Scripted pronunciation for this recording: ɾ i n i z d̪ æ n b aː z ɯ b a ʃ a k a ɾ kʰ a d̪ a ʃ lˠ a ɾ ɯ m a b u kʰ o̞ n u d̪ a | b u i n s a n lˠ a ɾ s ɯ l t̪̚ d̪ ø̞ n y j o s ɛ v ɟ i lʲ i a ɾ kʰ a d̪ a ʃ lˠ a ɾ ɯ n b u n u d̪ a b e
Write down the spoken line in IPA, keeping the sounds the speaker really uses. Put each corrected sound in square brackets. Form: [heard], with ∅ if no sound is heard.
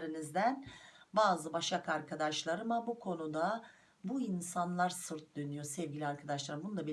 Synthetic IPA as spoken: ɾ i n i z d̪ æ n b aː z ɯ b a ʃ a k a ɾ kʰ a d̪ a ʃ lˠ a ɾ ɯ m a b u kʰ o̞ n u d̪ a | b u i n s a n lˠ a ɾ s ɯ [ɾ] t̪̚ d̪ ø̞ n y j o s ɛ v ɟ i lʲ i a ɾ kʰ a d̪ a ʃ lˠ a ɾ ɯ [m] b u n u d̪ a b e